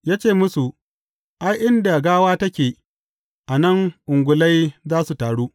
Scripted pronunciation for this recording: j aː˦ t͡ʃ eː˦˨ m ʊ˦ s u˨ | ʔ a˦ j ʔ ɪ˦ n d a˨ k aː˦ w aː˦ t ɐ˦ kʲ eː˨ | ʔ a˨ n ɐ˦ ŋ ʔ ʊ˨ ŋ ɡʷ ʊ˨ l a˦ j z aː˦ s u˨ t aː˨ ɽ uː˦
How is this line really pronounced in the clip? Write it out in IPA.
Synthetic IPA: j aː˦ t͡ʃ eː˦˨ m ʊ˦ s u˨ | ʔ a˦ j ʔ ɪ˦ n d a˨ ɡ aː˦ w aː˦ t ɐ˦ kʲ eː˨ | ʔ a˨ n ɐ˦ ŋ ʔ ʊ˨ ŋ ɡʷ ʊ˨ l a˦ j z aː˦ s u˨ t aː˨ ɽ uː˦